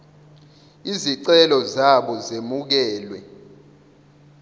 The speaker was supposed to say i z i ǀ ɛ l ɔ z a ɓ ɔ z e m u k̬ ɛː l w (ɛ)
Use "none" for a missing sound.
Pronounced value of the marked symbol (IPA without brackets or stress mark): ɛ